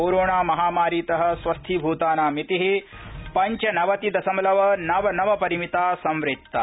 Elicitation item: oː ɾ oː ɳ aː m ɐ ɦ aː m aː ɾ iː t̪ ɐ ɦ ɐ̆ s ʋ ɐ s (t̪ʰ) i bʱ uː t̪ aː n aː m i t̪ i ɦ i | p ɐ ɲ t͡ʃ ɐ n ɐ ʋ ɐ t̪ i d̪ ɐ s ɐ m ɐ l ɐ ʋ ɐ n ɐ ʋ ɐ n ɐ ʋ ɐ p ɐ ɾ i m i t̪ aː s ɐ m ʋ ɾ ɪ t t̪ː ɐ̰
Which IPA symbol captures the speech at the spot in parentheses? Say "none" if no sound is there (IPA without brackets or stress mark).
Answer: t̪ʰ